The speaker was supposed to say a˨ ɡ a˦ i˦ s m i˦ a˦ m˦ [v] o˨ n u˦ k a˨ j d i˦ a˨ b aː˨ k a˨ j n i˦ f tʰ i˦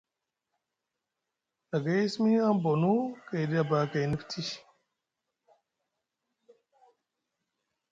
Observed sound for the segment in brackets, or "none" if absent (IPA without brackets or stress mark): b